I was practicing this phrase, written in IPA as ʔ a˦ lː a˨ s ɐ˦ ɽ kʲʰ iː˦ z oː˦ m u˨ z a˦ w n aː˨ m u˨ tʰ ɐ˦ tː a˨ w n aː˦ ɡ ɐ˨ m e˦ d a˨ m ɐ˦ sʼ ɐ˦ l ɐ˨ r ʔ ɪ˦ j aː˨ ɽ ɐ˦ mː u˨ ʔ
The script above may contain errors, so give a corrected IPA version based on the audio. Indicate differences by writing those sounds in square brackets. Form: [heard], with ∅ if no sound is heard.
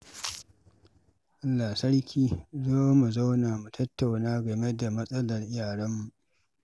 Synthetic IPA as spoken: ʔ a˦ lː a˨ s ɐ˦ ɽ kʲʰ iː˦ z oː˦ m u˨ z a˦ w n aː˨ m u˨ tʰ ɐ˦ tː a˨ w n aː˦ ɡ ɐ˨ m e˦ d a˨ m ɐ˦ sʼ ɐ˦ l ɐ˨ r ʔ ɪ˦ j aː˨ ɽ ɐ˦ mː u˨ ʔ